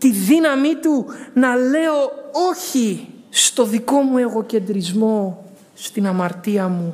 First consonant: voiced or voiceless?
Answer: voiceless